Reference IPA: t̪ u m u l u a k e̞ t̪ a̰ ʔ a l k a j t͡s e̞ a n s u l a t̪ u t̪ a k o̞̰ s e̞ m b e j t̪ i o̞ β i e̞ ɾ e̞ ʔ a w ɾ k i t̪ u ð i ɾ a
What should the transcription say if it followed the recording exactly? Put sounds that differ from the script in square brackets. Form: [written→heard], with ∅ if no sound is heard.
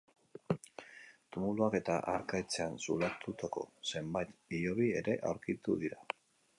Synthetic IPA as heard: t̪ u m u l u a k e̞ t̪ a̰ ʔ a [l→ɾ] k a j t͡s e̞ a n s u l a t̪ u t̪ a k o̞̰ s e̞ m b [e→a] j t̪ i o̞ β i e̞ ɾ e̞ ʔ a w ɾ k i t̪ u ð i ɾ a